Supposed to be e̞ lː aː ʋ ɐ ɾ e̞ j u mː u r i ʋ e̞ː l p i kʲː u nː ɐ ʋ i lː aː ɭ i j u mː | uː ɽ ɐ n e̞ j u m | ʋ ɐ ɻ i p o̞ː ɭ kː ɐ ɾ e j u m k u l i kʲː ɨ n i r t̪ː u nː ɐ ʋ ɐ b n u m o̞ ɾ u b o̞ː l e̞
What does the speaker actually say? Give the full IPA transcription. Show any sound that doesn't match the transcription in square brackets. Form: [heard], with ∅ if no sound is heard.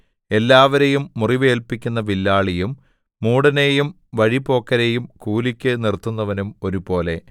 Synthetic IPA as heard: e̞ lː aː ʋ ɐ ɾ e̞ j u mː u r i ʋ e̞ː l p i kʲː u nː ɐ ʋ i lː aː ɭ i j u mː | uː ɽ ɐ n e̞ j u m | ʋ ɐ ɻ i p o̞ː [∅] kː ɐ ɾ e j u m k [uː] l i kʲː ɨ n i r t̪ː u nː ɐ ʋ ɐ [∅] n u m o̞ ɾ u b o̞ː l e̞